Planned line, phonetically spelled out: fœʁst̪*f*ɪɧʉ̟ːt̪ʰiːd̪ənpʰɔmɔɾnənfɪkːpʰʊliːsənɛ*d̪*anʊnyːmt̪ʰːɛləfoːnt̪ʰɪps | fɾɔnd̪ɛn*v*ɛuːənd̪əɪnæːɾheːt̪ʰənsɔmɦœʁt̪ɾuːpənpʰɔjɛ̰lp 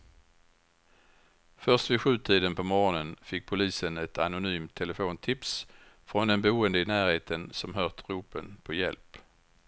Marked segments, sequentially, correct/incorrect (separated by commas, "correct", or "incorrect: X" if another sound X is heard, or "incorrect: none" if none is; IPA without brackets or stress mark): incorrect: v, incorrect: t̪, incorrect: b